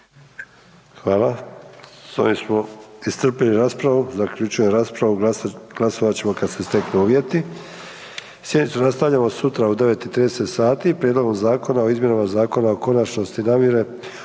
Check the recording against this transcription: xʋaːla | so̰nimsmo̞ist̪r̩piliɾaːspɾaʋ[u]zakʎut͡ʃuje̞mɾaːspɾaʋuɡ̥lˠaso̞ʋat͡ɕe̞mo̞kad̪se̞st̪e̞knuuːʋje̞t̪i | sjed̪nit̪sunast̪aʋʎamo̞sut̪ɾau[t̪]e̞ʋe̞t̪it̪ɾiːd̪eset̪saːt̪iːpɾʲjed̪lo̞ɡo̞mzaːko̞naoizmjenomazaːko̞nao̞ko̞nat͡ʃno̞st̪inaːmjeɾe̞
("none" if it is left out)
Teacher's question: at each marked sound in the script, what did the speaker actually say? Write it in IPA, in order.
u, d̪

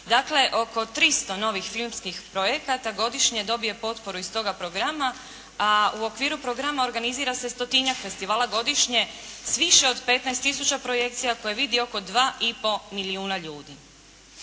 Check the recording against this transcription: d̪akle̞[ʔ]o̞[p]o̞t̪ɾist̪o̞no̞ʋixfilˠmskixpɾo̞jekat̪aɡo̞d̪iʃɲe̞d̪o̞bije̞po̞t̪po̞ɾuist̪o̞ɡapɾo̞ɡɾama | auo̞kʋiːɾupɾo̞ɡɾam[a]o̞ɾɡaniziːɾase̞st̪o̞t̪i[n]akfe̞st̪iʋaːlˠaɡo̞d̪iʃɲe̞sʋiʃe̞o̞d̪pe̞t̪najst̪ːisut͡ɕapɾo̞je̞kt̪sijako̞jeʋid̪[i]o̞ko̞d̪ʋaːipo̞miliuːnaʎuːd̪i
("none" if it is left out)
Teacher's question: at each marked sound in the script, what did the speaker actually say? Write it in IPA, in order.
ʔ, k, a, ɲ, i

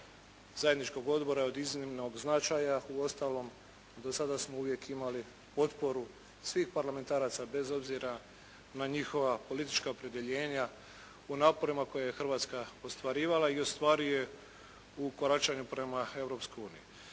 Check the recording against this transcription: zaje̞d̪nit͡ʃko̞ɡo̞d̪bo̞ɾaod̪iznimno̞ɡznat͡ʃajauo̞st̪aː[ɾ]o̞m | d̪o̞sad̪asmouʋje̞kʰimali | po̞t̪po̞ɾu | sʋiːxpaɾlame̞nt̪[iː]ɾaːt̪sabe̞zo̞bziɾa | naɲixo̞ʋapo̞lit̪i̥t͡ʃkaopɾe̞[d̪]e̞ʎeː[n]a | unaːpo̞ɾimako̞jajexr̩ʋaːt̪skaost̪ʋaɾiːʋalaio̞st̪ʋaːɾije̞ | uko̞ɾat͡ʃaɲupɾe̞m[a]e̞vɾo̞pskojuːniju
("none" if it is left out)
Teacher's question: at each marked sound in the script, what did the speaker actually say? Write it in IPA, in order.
l, aː, d̪, ɲ, a

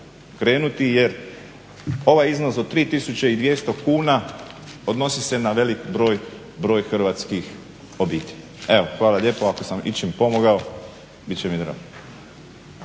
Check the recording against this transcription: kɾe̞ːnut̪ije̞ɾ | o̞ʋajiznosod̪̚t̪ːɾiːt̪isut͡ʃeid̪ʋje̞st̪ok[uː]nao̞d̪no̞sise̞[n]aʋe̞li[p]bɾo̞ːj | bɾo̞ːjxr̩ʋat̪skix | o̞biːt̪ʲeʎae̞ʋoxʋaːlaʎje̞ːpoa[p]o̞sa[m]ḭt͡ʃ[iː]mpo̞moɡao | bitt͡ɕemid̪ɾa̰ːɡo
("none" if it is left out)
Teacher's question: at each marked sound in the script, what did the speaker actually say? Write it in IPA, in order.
uː, n, k, k, m, i

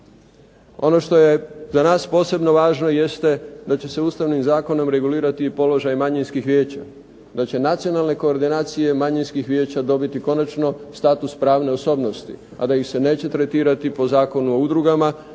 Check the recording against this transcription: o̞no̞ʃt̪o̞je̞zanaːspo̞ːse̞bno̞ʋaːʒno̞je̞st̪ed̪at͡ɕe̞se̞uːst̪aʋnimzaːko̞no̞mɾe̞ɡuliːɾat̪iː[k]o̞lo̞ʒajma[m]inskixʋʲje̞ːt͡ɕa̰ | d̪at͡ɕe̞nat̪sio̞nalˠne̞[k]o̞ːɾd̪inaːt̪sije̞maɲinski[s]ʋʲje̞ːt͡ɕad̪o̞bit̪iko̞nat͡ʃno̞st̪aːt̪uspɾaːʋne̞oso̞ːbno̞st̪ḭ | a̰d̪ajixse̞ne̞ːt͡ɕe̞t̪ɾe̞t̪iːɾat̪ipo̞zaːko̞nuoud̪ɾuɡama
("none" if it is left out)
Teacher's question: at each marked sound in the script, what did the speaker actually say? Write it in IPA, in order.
p, ɲ, k, x

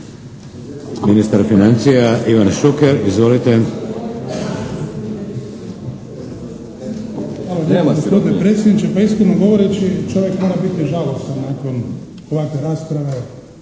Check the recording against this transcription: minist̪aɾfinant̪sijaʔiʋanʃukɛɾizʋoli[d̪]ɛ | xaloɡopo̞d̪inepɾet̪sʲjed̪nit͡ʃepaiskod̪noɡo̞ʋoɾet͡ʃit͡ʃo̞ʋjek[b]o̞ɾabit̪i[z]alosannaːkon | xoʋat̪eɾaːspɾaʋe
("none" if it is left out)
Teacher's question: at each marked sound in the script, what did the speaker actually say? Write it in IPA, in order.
t̪, m, ʒ

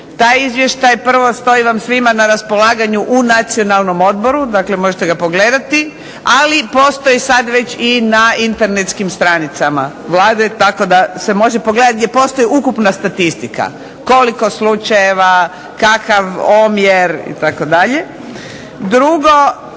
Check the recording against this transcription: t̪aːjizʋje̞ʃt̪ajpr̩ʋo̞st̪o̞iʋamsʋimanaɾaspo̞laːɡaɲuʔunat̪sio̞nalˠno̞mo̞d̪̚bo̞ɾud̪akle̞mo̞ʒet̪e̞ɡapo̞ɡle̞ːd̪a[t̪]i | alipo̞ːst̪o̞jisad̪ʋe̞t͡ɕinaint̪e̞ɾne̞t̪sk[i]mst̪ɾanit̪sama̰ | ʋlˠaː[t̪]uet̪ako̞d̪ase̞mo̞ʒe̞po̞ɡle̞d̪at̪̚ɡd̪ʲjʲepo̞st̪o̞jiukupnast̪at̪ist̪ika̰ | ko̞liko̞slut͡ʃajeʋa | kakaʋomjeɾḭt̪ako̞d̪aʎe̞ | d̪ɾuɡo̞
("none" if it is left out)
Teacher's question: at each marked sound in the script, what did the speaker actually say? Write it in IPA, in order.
t̪, i, d̪

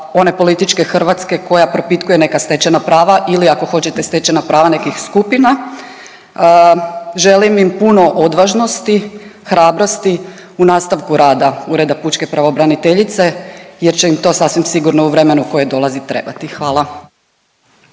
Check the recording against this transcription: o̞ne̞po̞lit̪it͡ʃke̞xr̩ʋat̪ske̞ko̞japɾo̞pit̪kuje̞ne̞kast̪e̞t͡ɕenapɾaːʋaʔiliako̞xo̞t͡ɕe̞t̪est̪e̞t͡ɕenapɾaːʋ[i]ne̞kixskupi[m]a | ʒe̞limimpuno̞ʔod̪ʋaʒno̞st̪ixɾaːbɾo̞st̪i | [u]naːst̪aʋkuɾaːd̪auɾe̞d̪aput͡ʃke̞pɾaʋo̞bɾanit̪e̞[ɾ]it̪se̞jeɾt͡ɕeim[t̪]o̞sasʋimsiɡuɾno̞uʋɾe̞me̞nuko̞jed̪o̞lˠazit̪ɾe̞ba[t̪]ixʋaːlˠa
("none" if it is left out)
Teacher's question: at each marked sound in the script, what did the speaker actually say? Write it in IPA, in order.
a, n, u, ʎ, t̪, t̪

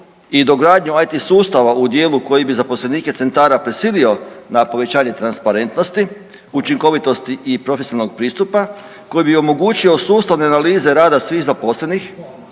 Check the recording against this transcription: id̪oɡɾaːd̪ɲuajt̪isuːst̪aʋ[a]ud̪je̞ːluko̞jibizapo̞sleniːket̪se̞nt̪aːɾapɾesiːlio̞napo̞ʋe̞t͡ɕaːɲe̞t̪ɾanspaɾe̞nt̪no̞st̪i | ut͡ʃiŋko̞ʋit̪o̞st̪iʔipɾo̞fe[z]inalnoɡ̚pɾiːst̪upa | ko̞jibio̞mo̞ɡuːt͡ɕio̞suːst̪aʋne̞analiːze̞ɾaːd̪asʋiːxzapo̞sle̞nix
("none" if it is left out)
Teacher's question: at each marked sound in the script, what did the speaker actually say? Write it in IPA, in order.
a, s

